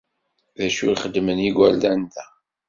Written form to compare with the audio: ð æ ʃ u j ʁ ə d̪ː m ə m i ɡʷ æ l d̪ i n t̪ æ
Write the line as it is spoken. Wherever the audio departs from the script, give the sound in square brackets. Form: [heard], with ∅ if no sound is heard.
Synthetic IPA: ð æ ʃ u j [χ] ə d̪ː m ə [n] i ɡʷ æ l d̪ [æ] n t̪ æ